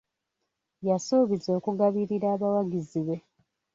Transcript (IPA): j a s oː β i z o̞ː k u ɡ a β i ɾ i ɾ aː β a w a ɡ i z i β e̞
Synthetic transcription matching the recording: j a s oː β i z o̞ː k u ɡ a β i ɾ i ɾ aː β a w a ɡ i z i β e̞